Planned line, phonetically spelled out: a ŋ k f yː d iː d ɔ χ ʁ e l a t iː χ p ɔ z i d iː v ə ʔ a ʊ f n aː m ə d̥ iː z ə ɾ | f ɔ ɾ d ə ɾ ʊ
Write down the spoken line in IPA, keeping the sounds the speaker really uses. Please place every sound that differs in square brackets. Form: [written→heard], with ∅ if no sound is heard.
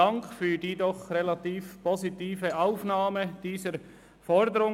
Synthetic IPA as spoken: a ŋ k f yː d iː d ɔ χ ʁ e l a t iː [χ→f] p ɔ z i [d→t] iː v ə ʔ a ʊ f n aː m ə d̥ iː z ə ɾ | f ɔ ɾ d ə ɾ ʊ